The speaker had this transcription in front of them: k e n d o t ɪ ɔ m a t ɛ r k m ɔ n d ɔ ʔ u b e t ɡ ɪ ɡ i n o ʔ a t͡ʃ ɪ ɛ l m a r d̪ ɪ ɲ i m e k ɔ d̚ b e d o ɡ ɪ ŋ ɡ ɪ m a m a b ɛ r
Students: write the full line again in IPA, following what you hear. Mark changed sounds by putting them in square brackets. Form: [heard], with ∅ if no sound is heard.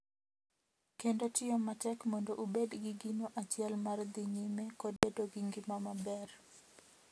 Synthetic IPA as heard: k e n d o t ɪ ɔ m a t ɛ [∅] k m ɔ n d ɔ ʔ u b e [d] ɡ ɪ ɡ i n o ʔ a t͡ʃ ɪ ɛ l m a r d̪ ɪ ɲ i m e k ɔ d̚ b e d o ɡ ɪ ŋ ɡ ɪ m a m a b ɛ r